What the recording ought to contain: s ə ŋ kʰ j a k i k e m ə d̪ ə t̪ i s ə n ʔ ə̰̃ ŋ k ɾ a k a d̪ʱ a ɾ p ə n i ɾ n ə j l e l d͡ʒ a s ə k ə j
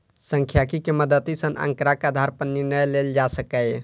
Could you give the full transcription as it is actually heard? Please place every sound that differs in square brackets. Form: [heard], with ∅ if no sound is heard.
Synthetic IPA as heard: s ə ŋ kʰ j a k i k e m ə d̪ ə t̪ i s ə n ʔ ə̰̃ ŋ k ɾ a k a d̪ʱ a ɾ p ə n i ɾ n ə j l e l d͡ʒ a s ə k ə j